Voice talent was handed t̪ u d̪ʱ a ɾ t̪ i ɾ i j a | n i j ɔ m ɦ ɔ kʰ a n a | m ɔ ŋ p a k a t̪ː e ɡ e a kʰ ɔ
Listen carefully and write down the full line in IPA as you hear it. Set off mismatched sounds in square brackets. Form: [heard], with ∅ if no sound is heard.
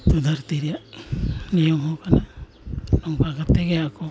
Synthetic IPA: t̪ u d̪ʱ a ɾ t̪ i ɾ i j a | n i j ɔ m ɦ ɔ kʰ a n a | [n] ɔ ŋ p a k a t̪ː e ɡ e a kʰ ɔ